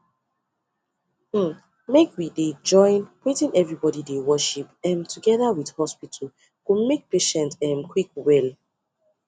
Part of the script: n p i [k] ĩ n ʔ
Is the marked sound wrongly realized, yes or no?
yes